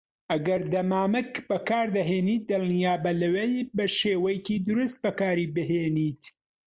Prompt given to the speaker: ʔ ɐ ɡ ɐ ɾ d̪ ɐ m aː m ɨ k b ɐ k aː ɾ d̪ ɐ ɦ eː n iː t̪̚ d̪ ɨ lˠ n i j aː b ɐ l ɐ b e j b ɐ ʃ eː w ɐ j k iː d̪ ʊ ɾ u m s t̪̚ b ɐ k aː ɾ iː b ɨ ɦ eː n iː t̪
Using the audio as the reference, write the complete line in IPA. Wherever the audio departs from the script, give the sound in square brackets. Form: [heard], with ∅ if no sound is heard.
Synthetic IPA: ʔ ɐ ɡ ɐ ɾ d̪ ɐ m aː m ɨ k b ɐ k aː ɾ d̪ ɐ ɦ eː n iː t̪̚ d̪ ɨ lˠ n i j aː b ɐ l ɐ [w] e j b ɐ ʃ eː w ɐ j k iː d̪ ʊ ɾ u [∅] s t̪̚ b ɐ k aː ɾ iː b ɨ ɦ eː n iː t̪